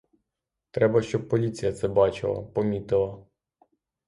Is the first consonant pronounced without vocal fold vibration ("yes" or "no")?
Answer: yes